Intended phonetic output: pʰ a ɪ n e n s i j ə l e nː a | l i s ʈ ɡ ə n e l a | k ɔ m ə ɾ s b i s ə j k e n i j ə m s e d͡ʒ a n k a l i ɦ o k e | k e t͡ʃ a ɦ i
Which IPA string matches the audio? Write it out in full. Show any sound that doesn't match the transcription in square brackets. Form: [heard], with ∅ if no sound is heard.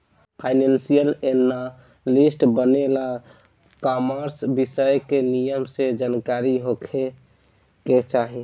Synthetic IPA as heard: pʰ a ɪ n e n s i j ə l e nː a | l i s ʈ [b] ə n e l a | k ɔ m ə ɾ s b i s ə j k e n i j ə m s e d͡ʒ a n k a [ɾ] i ɦ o [kʰ] e | k e t͡ʃ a ɦ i

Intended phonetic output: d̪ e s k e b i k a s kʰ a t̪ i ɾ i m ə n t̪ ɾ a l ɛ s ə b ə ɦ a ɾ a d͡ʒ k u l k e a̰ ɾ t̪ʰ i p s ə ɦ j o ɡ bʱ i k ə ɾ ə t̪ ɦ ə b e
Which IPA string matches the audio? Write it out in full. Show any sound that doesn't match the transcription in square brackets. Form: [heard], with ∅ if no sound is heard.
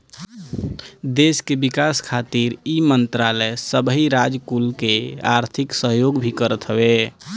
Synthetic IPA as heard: d̪ e s k e b i k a s kʰ a t̪ i ɾ i m ə n t̪ ɾ a l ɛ s ə b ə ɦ [i] ɾ a d͡ʒ k u l k e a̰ ɾ t̪ʰ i [k] s ə ɦ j o ɡ bʱ i k ə ɾ ə t̪ ɦ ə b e

